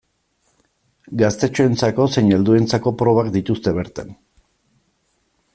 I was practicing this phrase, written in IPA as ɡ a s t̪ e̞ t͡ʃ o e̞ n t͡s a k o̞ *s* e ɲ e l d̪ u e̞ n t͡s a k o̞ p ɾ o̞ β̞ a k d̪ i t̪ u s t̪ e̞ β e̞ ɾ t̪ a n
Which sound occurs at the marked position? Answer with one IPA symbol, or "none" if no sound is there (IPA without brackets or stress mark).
s